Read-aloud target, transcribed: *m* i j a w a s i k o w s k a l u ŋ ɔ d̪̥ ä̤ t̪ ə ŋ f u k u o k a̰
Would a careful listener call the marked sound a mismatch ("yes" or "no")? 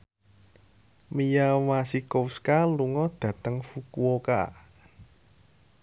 no